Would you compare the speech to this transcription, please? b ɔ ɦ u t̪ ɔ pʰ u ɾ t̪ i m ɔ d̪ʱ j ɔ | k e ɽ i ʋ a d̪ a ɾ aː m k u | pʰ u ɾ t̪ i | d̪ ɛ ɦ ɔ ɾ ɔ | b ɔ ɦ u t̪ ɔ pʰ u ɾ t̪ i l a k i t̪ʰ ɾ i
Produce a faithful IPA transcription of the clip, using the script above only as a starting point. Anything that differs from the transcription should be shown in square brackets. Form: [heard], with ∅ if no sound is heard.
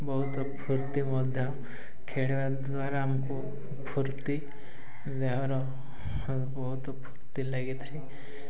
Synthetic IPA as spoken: b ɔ ɦ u t̪ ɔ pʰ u ɾ t̪ i m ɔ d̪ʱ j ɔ | [kʰ] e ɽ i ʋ a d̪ a ɾ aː m k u | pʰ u ɾ t̪ i | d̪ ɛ ɦ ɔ ɾ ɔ | b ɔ ɦ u t̪ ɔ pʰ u ɾ t̪ i l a [ɡ] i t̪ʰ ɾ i